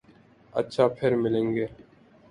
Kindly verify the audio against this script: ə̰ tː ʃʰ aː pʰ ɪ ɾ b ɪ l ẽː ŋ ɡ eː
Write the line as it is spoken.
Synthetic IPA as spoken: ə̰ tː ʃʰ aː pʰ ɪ ɾ m ɪ l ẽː ŋ ɡ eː